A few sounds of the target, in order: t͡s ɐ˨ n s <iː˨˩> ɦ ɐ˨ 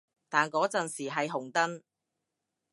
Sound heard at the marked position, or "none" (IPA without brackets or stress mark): iː˨˩